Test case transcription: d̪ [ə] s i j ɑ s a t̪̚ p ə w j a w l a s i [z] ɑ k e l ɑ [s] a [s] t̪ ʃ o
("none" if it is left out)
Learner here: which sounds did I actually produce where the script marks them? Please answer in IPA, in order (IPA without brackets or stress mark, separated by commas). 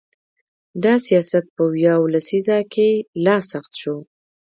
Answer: ɑ, z, s, x